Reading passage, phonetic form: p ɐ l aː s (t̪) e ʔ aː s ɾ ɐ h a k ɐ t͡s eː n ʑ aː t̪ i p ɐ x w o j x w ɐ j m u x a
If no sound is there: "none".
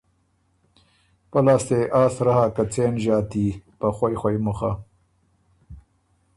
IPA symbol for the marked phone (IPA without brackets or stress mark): t̪